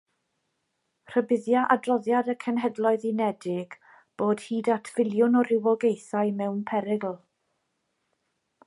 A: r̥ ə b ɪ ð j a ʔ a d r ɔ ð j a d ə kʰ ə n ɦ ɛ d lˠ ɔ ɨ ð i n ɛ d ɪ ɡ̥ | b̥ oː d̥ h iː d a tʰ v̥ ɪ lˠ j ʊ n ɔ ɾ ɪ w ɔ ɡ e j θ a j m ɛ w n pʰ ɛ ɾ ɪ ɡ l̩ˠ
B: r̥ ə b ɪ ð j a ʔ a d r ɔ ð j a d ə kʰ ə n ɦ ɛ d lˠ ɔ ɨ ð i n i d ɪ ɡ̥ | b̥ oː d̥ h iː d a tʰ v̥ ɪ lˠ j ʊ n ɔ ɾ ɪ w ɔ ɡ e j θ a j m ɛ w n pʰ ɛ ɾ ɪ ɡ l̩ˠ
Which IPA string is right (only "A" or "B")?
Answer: A